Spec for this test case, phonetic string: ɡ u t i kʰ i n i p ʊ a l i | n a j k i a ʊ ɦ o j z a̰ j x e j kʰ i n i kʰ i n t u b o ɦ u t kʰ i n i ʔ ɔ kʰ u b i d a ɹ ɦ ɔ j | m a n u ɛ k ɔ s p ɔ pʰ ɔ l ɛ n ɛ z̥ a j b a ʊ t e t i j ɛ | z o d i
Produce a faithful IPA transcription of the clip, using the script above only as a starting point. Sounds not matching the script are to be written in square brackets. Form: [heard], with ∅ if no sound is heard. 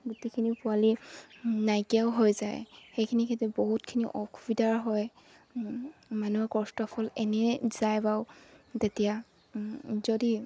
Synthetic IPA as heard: ɡ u t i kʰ i n i p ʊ a l i | n a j k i a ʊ ɦ o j z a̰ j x e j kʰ i n i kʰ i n t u b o ɦ u t kʰ i n i ʔ ɔ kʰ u b i d a ɹ ɦ ɔ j | m a n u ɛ k ɔ s [t] ɔ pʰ ɔ l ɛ n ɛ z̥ a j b a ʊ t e t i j [a] | z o d i